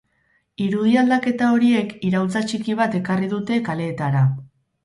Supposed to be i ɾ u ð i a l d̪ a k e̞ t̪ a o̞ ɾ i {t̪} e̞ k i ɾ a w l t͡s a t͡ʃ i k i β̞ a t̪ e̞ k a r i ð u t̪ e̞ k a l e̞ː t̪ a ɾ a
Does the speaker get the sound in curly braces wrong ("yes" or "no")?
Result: yes